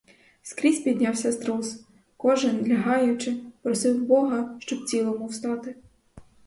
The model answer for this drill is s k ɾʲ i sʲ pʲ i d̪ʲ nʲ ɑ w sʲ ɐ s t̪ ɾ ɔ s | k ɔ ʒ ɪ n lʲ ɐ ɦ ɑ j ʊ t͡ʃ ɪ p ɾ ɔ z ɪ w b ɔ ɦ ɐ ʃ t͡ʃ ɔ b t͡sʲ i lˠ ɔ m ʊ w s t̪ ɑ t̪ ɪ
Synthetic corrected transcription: s k ɾʲ i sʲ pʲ i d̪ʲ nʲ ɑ w sʲ ɐ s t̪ ɾ ɔ s | k ɔ ʒ ɪ n lʲ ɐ ɦ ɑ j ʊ t͡ʃ ɪ p ɾ ɔ s ɪ w b ɔ ɦ ɐ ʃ t͡ʃ ɔ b t͡sʲ i lˠ ɔ m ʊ w s t̪ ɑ t̪ ɪ